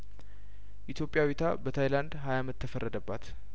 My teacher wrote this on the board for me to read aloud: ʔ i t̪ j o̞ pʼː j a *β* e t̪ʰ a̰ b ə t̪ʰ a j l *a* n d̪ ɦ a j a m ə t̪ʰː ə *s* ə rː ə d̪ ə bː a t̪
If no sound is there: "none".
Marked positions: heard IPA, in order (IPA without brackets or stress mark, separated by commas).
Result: w, a, f